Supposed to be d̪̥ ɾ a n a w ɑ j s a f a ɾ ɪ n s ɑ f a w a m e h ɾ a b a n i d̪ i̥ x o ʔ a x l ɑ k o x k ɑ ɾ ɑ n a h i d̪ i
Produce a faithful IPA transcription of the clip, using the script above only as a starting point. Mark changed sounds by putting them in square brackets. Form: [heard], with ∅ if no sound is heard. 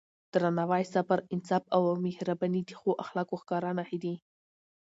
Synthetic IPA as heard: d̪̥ ɾ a n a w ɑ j s a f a ɾ ɪ n s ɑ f a w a m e h ɾ a b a n i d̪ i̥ x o ʔ a x l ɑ k o x k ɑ ɾ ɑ n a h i d̪ i

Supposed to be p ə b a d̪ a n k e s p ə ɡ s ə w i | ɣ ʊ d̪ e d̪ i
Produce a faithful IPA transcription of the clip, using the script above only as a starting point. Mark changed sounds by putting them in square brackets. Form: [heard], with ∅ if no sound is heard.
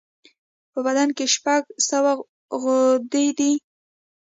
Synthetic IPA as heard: p ə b a d̪ a n k e [ʃ] p [a] ɡ s ə w [a] | ɣ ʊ d̪ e d̪ i

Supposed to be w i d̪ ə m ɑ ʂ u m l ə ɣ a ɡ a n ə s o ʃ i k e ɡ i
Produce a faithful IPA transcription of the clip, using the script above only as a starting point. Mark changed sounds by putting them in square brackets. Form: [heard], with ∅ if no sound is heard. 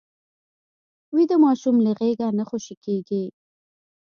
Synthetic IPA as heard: w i d̪ ə m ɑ [ʃ] u m l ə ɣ [e] ɡ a n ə [x] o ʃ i k e ɡ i

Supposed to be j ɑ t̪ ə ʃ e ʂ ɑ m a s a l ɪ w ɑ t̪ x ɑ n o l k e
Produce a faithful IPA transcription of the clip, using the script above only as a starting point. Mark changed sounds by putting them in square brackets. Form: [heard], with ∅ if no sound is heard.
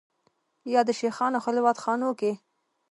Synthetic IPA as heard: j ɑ [d̪] ə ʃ e [x] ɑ [n] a [x] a l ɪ w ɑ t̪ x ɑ n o [∅] k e

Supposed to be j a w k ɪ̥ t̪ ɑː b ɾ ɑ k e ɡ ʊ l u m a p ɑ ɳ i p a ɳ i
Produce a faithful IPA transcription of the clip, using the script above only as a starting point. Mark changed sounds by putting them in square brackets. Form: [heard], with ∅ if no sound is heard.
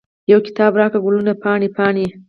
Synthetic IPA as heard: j a w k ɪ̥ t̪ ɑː b ɾ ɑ k [a] ɡ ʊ l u [n] a p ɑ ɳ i p [ɑ] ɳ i

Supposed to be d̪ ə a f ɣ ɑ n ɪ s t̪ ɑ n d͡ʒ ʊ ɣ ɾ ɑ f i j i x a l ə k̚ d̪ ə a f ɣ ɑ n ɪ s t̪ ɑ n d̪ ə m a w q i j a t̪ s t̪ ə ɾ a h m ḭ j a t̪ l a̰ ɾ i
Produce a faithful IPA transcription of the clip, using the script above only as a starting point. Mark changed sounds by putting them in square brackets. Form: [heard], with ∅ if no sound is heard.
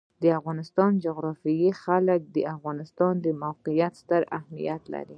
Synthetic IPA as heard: d̪ ə a f ɣ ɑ n ɪ s t̪ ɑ n d͡ʒ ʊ ɣ ɾ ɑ f i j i x a l ə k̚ d̪ ə a f ɣ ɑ n ɪ s t̪ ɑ n d̪ ə m a w q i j a t̪ s t̪ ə ɾ a h m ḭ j a t̪ l a̰ ɾ i

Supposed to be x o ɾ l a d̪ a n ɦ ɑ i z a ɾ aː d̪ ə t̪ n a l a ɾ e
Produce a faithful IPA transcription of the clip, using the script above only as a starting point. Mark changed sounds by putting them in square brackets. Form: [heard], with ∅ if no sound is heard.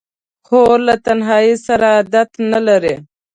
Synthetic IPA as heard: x o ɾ l a [t̪] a n ɦ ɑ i [s] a ɾ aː d̪ [a] t̪ n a l a ɾ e

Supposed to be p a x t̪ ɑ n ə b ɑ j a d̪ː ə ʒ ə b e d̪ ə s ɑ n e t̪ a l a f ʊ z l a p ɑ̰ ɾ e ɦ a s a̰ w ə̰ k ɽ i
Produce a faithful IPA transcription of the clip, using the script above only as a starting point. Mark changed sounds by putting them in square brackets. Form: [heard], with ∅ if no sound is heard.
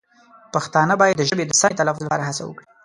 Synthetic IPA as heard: p a x t̪ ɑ n ə b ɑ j a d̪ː ə ʒ ə b e d̪ ə s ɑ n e t̪ a l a f ʊ z l a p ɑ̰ ɾ [a] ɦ a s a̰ w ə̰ k ɽ i

